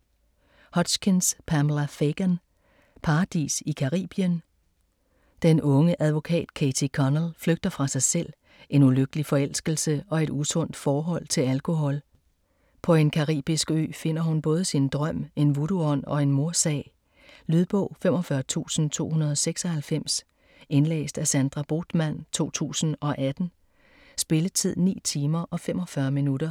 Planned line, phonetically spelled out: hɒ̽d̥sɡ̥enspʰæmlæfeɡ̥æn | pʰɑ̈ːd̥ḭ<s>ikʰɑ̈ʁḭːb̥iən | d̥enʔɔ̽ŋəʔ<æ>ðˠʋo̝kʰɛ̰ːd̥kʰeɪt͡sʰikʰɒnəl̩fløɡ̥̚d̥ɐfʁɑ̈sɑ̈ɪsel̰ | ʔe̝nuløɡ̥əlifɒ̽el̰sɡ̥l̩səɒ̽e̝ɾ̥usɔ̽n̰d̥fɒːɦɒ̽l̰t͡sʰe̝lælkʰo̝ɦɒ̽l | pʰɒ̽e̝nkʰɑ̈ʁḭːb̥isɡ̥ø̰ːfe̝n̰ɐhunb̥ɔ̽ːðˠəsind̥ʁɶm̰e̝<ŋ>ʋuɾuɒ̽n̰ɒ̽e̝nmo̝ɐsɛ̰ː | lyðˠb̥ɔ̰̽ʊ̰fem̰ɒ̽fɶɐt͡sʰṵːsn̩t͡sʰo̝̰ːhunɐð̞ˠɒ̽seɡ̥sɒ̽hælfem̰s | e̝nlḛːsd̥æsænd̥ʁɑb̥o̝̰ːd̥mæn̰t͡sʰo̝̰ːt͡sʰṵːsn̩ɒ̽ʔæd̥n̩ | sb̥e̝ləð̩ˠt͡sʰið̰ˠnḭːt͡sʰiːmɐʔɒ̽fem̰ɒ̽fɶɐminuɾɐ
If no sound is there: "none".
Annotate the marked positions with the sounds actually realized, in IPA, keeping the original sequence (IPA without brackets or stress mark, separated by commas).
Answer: s, æ, n